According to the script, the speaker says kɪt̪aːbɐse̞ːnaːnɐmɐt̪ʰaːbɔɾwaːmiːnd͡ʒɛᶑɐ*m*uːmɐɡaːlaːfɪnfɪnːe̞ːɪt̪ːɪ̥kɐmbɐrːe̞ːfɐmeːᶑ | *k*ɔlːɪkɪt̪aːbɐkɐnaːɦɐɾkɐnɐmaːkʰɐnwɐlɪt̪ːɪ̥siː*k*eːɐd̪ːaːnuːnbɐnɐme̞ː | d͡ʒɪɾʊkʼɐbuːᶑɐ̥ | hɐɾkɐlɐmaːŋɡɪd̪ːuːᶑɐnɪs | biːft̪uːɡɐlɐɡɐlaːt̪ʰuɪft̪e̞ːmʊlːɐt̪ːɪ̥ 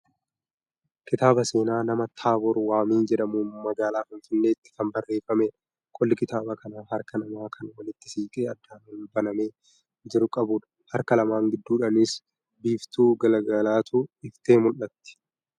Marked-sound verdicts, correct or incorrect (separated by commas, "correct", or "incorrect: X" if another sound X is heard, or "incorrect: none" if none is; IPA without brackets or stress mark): correct, incorrect: kʼ, incorrect: kʼ